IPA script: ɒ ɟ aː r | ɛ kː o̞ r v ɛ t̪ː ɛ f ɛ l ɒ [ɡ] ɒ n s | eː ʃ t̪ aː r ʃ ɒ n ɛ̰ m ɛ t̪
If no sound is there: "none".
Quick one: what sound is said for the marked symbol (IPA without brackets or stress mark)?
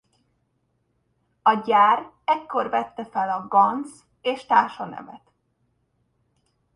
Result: ɡ